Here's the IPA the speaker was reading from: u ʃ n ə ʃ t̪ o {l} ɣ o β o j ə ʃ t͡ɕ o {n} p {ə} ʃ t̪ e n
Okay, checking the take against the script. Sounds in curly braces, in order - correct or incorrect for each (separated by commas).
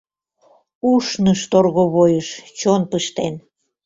incorrect, correct, correct